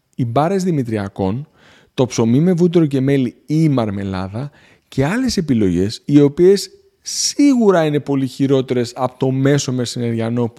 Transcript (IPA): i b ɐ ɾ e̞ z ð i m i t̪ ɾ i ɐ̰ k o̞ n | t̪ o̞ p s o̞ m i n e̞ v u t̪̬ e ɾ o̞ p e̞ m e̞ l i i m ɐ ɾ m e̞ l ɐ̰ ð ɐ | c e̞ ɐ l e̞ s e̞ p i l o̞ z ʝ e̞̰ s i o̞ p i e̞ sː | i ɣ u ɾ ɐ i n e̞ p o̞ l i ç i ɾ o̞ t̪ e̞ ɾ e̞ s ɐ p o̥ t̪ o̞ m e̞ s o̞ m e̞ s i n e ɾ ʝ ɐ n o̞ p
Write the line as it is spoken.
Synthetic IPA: i b ɐ ɾ e̞ z ð i m i t̪ ɾ i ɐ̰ k o̞ n | t̪ o̞ p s o̞ m i m e̞ v u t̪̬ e ɾ o̞ c e̞ m e̞ l i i m ɐ ɾ m e̞ l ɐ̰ ð ɐ | c e̞ ɐ l e̞ s e̞ p i l o̞ ʝ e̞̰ s i o̞ p i e̞ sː | i ɣ u ɾ ɐ i n e̞ p o̞ l i ç i ɾ o̞ t̪ e̞ ɾ e̞ s ɐ p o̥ t̪ o̞ m e̞ s o̞ m e̞ s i n e ɾ ʝ ɐ n o̞ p